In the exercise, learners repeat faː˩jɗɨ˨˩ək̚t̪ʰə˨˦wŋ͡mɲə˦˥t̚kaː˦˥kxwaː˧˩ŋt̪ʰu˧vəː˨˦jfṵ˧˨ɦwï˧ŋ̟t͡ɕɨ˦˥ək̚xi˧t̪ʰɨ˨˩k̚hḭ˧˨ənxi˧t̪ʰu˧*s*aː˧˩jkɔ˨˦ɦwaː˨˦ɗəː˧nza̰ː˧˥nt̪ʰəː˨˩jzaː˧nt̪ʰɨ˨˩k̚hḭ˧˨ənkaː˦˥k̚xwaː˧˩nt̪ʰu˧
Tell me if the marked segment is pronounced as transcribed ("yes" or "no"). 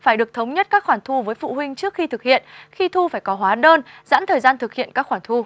no